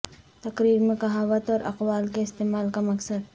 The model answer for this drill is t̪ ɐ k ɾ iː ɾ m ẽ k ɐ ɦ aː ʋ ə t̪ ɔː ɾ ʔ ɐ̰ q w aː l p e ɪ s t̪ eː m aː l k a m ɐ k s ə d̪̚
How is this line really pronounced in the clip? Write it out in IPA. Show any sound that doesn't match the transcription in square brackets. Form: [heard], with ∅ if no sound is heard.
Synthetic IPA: t̪ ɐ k ɾ iː ɾ m ẽ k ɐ ɦ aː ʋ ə t̪ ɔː ɾ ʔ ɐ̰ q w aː l [k] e ɪ s t̪ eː m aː l k a m ɐ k s ə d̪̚